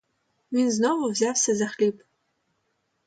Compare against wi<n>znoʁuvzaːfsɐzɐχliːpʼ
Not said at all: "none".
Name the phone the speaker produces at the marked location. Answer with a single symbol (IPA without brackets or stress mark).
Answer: n